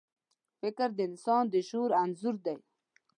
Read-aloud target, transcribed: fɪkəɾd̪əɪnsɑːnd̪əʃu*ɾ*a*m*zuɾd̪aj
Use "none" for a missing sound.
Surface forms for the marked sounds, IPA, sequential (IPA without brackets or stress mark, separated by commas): ɾ, n